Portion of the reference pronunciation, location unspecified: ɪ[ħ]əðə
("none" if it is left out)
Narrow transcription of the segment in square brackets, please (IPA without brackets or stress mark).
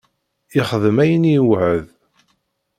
χ